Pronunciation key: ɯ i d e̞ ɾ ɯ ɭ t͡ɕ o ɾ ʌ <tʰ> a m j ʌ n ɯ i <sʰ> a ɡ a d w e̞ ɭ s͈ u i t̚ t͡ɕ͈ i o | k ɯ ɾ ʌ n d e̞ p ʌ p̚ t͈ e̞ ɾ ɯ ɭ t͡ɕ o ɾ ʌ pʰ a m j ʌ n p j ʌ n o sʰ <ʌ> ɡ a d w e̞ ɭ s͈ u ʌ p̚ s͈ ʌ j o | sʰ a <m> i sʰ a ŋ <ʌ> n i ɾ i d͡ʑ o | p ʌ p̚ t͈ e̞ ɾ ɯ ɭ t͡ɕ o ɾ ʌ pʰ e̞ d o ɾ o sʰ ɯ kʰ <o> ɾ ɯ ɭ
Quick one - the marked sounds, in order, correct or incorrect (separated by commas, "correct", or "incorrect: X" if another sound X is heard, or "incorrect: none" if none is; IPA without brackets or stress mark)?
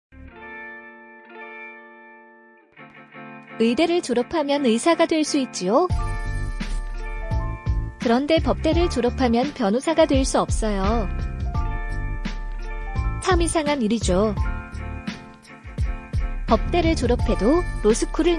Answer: incorrect: pʰ, correct, incorrect: a, correct, incorrect: a, incorrect: u